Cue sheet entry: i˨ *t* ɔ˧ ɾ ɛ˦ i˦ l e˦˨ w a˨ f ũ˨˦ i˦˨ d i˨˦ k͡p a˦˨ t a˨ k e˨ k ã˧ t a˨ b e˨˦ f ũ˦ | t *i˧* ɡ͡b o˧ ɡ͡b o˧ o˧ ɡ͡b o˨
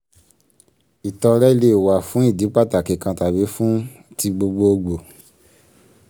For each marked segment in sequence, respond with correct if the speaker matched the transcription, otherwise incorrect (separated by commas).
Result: correct, correct